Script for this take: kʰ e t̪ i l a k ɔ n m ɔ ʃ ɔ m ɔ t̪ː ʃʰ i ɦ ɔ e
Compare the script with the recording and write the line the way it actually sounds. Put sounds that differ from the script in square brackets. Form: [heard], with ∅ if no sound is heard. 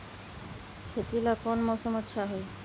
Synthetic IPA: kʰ e t̪ i l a k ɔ n m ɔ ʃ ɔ m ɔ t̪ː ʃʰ [a] ɦ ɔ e